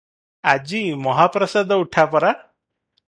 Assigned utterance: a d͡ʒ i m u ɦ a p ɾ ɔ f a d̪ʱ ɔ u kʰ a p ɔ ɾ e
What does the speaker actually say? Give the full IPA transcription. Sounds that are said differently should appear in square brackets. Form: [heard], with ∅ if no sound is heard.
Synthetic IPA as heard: a d͡ʒ i m [ɔ] ɦ a p ɾ ɔ [s] a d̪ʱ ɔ u [ʈʰ] a p ɔ ɾ [a]